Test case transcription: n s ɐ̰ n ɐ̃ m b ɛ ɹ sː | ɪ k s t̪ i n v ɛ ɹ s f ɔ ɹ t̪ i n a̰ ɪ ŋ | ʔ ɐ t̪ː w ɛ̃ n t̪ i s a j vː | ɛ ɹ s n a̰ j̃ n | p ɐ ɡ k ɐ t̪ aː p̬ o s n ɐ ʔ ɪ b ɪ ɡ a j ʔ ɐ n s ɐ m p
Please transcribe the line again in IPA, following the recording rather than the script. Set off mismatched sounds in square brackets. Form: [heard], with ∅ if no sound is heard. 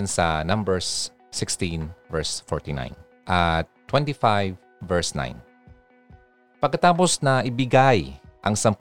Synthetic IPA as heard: n s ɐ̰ n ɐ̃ m b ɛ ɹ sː | ɪ k s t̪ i n v ɛ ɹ s f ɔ ɹ t̪ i n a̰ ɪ [n] | ʔ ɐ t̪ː w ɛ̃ n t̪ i [f] a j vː | ɛ ɹ s n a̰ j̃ n | p ɐ ɡ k ɐ t̪ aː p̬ o s n ɐ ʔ ɪ b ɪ ɡ a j ʔ ɐ [ŋ] s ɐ m p